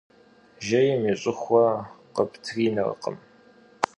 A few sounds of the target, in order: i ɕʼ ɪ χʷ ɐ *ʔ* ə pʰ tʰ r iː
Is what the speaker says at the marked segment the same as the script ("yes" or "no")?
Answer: no